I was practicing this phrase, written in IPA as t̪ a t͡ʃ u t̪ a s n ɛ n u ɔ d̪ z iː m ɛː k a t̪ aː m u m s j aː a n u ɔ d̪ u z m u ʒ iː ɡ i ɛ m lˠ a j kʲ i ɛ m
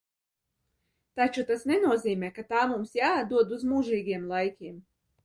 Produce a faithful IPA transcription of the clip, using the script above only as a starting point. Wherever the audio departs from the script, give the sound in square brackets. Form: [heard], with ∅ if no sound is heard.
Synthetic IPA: t̪ a t͡ʃ u t̪ a s n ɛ n u ɔ [∅] z iː m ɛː k a t̪ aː m u m s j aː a [∅] u ɔ d̪ u z m u ʒ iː ɡ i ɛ m lˠ a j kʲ i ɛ m